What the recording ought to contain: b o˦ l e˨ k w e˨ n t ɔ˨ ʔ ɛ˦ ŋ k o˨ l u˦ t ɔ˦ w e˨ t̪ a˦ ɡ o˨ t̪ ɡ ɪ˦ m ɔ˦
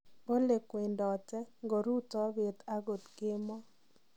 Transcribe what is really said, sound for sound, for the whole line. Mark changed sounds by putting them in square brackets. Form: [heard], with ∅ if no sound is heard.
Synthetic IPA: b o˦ l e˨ k w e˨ n [d] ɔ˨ [t] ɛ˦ ŋ [ɡ] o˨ [ɾ] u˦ t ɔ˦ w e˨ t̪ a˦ ɡ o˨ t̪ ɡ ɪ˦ m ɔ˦